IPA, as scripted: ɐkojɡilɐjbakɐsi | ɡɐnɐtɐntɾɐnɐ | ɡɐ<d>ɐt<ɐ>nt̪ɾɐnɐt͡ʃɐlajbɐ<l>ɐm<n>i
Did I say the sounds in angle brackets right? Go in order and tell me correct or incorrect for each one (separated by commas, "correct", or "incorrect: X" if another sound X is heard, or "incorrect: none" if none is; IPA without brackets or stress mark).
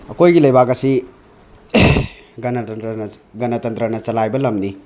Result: incorrect: n, correct, correct, correct